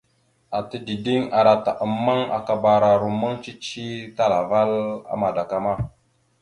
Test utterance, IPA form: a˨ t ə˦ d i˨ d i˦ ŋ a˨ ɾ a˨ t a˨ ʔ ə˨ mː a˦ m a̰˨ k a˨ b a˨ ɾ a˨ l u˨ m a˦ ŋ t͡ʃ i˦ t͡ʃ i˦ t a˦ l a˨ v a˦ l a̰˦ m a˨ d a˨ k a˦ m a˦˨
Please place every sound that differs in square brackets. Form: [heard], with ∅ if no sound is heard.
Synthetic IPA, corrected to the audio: a˨ t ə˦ d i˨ d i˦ ŋ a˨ ɾ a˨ t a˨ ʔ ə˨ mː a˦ [ŋ] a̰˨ k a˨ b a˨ ɾ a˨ [ɾ] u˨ m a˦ ŋ t͡ʃ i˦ t͡ʃ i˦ t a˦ l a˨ v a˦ l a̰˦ m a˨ d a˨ k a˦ m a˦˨